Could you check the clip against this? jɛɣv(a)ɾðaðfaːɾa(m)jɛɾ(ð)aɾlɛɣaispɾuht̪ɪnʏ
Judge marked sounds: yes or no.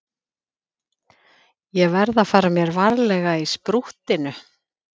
no, yes, no

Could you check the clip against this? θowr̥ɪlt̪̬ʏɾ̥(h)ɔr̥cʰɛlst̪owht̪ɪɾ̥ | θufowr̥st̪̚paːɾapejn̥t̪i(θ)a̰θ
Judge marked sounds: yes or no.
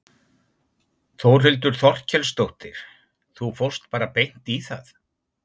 no, yes

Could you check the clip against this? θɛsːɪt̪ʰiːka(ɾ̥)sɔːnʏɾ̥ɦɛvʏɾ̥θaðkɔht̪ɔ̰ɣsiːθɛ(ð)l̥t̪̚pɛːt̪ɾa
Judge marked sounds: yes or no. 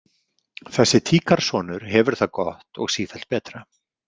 yes, no

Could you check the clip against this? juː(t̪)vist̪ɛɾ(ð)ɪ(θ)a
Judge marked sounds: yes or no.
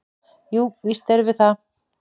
no, no, yes

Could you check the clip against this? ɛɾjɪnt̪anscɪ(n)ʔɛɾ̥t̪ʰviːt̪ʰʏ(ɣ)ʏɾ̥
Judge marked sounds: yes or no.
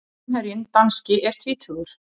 no, yes

